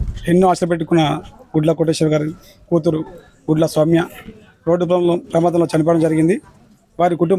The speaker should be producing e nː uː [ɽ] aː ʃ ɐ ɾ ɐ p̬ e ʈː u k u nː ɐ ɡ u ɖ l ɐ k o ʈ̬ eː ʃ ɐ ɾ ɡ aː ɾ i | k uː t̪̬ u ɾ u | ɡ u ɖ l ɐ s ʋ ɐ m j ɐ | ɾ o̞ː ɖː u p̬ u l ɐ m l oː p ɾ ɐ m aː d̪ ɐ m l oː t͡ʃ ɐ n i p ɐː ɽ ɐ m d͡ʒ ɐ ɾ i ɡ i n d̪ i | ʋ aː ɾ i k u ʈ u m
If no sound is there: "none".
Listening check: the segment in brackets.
none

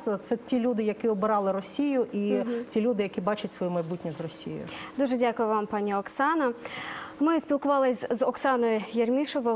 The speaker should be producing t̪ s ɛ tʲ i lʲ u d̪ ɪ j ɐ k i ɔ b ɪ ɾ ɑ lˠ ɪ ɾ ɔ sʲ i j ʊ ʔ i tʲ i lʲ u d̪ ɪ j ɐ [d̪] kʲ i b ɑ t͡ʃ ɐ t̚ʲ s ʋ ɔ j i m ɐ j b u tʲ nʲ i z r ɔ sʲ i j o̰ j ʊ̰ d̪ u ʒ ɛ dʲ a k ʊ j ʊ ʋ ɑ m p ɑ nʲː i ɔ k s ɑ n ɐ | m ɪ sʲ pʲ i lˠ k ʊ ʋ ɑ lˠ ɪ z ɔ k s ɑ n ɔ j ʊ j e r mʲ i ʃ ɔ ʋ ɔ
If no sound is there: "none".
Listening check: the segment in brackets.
none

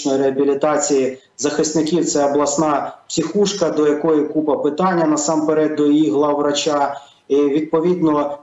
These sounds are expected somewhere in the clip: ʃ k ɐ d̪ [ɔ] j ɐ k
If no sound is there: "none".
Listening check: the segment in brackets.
ɔ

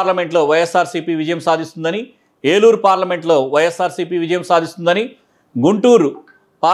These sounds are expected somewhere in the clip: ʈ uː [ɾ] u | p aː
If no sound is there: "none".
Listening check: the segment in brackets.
ɾ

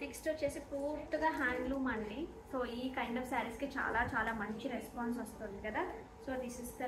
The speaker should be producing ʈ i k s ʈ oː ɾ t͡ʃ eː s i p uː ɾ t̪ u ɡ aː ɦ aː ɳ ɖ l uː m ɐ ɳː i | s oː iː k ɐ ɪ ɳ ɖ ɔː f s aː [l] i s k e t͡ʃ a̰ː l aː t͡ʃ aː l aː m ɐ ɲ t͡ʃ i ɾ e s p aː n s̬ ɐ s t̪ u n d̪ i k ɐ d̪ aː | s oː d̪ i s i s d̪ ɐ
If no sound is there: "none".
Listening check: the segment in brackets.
ɾ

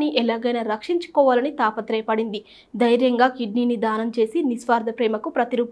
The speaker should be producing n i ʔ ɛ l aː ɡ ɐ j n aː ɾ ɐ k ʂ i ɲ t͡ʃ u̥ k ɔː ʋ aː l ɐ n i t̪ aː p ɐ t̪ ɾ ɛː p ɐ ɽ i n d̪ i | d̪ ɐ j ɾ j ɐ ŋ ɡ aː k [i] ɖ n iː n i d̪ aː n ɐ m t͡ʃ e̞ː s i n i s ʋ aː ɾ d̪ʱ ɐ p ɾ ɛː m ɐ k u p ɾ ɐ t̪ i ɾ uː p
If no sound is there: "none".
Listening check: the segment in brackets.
i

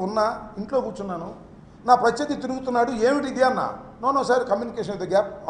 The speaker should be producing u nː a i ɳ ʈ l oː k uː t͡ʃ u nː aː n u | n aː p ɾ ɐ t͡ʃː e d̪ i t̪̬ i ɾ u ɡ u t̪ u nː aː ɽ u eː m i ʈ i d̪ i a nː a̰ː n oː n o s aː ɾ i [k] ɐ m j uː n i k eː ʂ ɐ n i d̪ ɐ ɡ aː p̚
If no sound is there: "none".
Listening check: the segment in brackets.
k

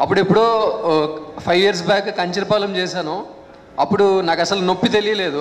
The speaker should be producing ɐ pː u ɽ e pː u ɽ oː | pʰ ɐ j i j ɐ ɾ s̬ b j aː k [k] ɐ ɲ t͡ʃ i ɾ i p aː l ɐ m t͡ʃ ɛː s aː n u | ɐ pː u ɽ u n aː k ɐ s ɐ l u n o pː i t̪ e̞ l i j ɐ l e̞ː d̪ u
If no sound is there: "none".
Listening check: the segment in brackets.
k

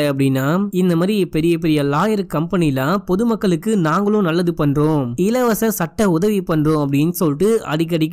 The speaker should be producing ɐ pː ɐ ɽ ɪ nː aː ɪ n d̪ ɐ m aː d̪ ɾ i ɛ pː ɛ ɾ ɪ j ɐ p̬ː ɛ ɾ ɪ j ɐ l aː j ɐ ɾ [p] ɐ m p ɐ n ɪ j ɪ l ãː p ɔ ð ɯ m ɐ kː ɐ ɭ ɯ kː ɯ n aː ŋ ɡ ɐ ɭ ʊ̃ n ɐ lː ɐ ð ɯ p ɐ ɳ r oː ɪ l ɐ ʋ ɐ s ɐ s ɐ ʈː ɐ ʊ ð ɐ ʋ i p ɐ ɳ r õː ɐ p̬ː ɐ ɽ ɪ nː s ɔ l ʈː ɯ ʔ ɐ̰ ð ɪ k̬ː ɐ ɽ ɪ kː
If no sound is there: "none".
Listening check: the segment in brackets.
k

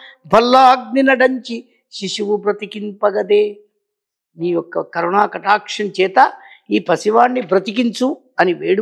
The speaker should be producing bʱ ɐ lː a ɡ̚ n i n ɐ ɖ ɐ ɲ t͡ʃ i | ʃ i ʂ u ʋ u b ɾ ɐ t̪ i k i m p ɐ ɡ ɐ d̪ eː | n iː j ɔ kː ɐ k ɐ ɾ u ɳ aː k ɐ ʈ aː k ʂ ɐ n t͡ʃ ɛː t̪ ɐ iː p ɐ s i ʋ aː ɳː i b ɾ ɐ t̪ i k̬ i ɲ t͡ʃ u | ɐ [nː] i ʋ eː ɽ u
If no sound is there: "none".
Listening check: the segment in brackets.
n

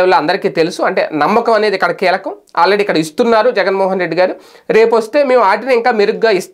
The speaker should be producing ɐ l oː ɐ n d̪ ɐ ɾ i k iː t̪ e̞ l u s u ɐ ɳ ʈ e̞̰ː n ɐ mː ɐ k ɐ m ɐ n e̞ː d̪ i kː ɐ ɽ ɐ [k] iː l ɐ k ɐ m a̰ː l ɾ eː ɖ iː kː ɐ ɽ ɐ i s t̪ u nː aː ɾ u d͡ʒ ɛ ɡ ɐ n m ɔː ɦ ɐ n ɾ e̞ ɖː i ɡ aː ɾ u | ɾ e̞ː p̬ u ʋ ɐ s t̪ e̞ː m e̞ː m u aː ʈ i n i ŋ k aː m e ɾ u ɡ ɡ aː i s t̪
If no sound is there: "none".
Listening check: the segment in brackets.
k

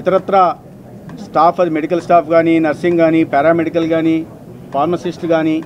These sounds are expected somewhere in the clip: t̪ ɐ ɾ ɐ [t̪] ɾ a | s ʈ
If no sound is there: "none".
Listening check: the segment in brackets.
t̪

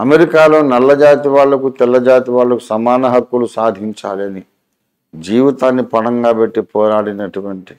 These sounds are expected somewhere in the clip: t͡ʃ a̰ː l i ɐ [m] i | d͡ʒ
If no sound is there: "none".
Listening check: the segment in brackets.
n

